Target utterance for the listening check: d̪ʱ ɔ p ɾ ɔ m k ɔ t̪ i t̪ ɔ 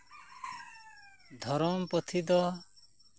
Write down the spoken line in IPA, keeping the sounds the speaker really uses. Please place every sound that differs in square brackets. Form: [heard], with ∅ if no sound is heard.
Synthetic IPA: d̪ʱ ɔ [∅] ɾ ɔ m [p] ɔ [t̪ʰ] i [d̪] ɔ